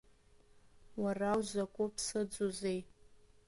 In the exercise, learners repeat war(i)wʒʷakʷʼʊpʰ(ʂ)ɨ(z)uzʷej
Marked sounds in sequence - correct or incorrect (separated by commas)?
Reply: incorrect, incorrect, incorrect